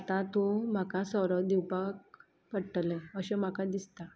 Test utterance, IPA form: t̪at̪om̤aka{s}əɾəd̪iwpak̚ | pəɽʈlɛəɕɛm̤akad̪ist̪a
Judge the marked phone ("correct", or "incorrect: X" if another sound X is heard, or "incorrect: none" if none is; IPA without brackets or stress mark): correct